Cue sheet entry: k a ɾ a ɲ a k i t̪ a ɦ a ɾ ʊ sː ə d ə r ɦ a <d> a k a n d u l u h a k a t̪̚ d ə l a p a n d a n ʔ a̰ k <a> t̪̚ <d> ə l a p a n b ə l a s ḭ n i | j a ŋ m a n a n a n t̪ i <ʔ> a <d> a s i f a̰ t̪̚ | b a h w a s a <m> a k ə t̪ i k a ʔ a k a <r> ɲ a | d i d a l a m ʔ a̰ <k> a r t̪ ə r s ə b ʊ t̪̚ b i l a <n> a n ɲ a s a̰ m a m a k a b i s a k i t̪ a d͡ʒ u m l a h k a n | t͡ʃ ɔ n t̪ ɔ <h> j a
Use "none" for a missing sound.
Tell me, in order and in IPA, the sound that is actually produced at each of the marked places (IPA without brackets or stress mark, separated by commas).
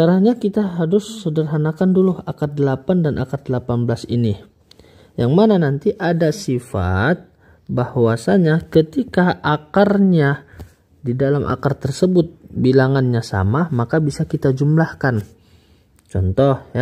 n, a, d, ʔ, d, ɲ, r, k, ŋ, h